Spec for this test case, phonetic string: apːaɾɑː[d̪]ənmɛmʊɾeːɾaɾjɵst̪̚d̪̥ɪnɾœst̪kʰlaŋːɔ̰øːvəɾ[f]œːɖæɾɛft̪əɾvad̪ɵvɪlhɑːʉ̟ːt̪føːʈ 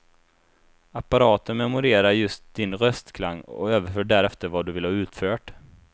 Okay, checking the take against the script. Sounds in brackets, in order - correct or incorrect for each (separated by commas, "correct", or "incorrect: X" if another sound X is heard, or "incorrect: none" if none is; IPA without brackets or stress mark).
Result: incorrect: t̪, correct